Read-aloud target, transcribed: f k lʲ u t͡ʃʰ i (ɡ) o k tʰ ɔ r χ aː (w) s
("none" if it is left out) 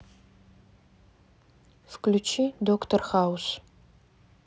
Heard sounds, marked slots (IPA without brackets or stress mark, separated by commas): d, w